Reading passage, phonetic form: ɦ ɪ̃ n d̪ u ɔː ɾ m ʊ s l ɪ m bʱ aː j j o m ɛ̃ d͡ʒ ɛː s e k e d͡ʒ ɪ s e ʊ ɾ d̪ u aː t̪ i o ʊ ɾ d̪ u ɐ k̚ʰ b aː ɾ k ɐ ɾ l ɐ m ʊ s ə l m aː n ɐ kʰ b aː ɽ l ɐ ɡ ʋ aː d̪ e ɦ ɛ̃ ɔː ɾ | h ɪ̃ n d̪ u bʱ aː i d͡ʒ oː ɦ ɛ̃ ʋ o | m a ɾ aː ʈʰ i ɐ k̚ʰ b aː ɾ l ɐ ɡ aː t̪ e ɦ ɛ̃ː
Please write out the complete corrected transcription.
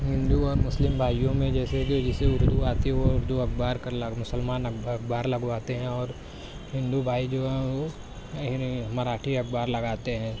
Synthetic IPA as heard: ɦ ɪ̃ n d̪ u ɔː ɾ m ʊ s l ɪ m bʱ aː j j õ m ẽ d͡ʒ ɛː s e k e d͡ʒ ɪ s e ʊ ɾ d̪ u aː t̪ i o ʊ ɾ d̪ u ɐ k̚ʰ b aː ɾ k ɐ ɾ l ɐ m ʊ s ə l m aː n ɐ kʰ b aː ɾ l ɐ ɡ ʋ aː t̪ e ɦ ɛ̃ ɔː ɾ | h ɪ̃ n d̪ u bʱ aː i d͡ʒ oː ɦ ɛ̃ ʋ o | m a ɾ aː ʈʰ i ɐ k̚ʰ b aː ɾ l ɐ ɡ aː t̪ e ɦ ɛ̃ː